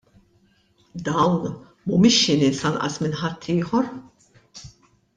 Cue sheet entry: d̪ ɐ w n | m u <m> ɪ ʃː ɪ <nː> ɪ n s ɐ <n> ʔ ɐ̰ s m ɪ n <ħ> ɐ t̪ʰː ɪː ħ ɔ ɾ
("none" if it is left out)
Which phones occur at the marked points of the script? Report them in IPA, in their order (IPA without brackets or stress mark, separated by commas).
m, n, n, ħ